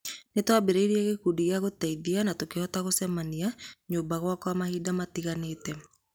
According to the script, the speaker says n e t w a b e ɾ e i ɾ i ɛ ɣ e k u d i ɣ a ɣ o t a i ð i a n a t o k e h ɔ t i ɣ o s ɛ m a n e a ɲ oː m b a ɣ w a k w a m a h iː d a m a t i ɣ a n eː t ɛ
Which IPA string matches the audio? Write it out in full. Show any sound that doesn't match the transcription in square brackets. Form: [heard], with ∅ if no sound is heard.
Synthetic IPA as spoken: n e t w a b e ɾ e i ɾ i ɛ ɣ e k u d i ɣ a ɣ o t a i ð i a n a t o k e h ɔ t [a] ɣ o s ɛ m a n [i] a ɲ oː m b a ɣ w a k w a m a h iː d a m a t i ɣ a n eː t ɛ